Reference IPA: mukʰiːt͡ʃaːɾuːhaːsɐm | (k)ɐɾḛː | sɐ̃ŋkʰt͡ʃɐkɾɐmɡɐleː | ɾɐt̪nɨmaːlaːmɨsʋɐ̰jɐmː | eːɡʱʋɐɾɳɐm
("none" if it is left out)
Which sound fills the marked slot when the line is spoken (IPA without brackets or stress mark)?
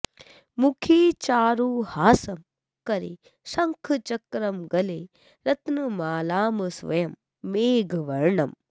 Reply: k